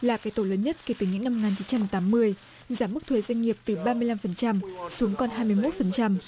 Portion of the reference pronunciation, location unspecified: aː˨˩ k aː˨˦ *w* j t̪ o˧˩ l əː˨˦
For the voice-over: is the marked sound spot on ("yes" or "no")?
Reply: no